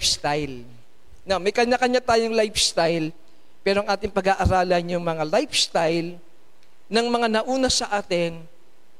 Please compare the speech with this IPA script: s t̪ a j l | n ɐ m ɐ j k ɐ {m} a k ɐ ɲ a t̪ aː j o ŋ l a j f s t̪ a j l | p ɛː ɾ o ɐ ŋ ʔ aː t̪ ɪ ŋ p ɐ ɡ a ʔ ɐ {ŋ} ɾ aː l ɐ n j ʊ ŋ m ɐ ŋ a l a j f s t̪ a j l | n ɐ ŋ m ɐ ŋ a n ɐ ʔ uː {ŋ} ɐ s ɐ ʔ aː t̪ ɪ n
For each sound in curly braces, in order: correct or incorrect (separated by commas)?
incorrect, incorrect, incorrect